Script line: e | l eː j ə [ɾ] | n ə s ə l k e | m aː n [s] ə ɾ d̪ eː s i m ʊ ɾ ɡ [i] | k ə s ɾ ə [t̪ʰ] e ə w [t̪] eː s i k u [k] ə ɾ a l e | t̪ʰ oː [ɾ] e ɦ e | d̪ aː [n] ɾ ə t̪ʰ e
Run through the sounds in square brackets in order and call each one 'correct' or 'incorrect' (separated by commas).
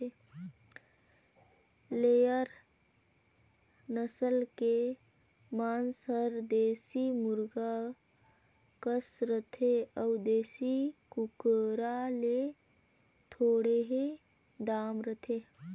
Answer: correct, correct, incorrect, correct, incorrect, correct, incorrect, incorrect